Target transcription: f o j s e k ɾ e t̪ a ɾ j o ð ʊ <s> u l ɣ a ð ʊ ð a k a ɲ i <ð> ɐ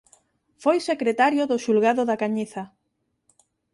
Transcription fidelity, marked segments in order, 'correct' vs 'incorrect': incorrect: ʃ, incorrect: θ

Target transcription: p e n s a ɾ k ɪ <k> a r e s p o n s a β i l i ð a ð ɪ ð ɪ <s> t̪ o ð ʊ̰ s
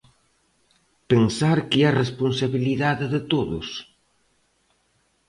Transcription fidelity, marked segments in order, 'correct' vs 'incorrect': incorrect: none, incorrect: none

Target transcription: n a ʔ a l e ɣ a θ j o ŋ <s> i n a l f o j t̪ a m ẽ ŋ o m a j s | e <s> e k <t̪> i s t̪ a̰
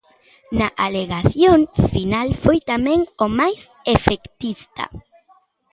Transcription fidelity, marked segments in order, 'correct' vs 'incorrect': incorrect: f, incorrect: f, correct

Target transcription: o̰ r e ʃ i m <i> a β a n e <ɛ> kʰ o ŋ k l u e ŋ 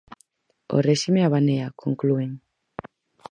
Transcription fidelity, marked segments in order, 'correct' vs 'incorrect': incorrect: e, incorrect: a

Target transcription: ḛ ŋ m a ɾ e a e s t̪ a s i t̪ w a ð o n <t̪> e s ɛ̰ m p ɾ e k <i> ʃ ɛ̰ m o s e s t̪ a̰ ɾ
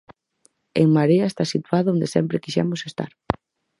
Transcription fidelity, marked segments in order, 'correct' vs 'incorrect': incorrect: d̪, correct

